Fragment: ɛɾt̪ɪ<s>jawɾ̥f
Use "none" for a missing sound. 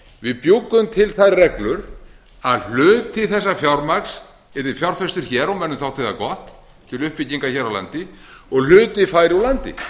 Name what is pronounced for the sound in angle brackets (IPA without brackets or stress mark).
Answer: f